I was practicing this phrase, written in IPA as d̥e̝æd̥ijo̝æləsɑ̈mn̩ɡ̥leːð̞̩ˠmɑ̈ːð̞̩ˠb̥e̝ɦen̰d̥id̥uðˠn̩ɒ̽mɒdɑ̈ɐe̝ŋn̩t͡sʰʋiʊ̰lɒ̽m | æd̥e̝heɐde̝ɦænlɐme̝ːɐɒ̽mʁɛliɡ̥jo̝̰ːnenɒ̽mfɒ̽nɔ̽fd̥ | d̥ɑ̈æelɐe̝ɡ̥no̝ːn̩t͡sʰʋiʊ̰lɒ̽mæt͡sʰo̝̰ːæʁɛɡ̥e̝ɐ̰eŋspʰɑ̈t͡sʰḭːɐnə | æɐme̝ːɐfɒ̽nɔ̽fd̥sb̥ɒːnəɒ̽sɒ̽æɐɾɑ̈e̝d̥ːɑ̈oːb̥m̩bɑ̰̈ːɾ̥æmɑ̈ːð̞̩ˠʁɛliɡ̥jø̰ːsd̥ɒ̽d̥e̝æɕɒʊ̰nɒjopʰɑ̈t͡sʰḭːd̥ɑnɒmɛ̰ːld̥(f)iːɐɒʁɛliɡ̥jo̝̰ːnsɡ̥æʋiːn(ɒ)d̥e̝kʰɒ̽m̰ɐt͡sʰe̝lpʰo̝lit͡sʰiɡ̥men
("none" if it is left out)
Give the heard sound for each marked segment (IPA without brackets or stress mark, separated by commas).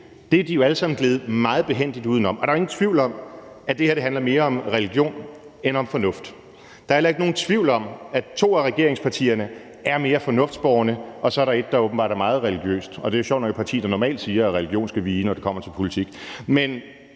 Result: s, ɒ